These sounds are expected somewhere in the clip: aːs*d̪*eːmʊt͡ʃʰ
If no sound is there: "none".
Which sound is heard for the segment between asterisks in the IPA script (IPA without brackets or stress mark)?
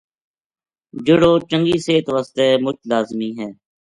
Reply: t̪